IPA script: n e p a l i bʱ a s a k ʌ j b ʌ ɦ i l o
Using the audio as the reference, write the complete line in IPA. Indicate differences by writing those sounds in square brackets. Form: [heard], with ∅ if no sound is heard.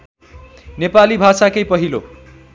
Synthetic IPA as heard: n e p a l i bʱ a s a k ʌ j [p] ʌ ɦ i l o